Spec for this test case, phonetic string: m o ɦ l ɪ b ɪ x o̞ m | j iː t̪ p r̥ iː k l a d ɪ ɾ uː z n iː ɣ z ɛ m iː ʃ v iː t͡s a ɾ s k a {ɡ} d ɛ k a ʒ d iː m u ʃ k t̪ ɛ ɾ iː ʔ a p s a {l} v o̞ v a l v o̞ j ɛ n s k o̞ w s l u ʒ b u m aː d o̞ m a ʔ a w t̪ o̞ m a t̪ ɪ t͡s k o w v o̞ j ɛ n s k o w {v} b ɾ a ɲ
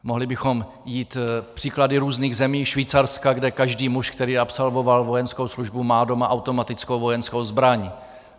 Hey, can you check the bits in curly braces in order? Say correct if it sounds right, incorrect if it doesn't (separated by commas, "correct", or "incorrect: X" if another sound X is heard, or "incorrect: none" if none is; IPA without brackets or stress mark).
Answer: correct, correct, incorrect: z